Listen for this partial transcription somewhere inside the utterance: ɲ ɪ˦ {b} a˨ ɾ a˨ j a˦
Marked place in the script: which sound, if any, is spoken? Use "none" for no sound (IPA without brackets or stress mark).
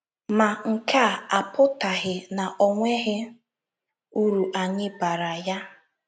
b